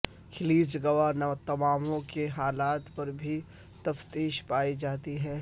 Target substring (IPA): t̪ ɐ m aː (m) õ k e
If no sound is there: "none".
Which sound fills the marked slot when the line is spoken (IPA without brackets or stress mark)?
m